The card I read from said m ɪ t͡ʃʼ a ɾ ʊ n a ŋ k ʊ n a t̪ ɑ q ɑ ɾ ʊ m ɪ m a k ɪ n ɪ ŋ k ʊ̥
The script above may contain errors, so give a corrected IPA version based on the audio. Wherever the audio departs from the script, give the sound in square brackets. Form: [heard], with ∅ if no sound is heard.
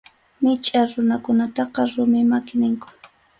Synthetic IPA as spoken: m ɪ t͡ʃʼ a ɾ ʊ n a [∅] k ʊ n a t̪ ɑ q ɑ ɾ ʊ m ɪ m a k ɪ n ɪ ŋ k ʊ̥

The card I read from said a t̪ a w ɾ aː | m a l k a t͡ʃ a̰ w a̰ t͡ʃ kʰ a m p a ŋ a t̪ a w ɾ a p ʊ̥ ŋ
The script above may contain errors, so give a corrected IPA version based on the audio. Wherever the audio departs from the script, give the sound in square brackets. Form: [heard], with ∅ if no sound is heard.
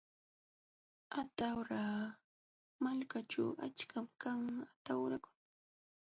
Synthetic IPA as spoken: a t̪ a w ɾ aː | m a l k a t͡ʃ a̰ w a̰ t͡ʃ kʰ a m [k] a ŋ a t̪ a w ɾ a [k] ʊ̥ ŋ

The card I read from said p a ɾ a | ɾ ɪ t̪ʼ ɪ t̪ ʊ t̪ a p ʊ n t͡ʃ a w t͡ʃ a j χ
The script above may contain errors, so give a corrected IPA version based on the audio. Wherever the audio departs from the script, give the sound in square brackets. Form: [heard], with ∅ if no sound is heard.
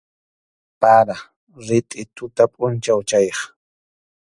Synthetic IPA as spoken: p a ɾ a | ɾ ɪ t̪ʼ ɪ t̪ ʊ t̪ a [pʼ] ʊ n t͡ʃ a w t͡ʃ a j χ

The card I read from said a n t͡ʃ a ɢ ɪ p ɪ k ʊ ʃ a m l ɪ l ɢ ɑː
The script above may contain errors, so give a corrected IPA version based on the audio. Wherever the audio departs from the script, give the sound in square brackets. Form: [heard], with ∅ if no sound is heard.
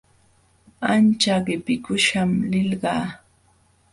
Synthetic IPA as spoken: a n t͡ʃ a ɢ ɪ p ɪ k ʊ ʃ a m l ɪ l ɢ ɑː

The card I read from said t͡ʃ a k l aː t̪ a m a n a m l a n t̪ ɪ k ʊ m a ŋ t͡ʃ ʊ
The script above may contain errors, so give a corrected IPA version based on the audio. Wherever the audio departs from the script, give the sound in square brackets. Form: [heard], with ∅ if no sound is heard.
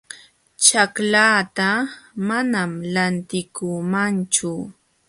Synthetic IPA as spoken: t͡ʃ a k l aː t̪ a m a n a m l a n t̪ ɪ k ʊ m a [n] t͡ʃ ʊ

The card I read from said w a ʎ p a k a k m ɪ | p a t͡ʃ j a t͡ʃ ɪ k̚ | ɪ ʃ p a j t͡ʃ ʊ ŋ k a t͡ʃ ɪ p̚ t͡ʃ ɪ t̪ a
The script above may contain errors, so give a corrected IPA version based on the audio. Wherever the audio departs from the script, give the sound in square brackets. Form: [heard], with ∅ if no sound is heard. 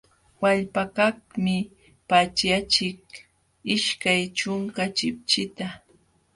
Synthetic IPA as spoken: w a ʎ p a k a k m ɪ | p a t͡ʃ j a t͡ʃ ɪ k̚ | ɪ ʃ [k] a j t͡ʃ ʊ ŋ k a t͡ʃ ɪ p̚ t͡ʃ ɪ t̪ a

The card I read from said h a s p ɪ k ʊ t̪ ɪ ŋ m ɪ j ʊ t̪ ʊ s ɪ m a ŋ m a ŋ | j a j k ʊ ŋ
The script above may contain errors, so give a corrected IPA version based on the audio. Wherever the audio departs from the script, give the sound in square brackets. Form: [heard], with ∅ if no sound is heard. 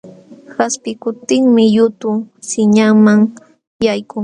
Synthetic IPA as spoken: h a s p ɪ k ʊ t̪ ɪ ŋ m ɪ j ʊ t̪ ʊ s ɪ [ɲ] a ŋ m a ŋ | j a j k ʊ ŋ

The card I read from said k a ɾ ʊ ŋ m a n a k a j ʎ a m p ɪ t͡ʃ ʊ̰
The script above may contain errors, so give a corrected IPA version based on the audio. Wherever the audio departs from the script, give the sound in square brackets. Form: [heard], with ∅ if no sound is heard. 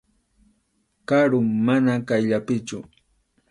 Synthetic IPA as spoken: k a ɾ ʊ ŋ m a n a k a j ʎ a [∅] p ɪ t͡ʃ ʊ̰

